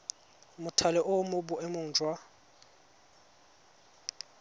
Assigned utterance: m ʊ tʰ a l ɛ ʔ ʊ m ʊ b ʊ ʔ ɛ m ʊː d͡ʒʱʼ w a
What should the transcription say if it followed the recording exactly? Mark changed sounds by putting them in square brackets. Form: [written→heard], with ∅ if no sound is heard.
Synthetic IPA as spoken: m ʊ tʰ a l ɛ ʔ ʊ m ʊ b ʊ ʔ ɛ m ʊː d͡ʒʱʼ w a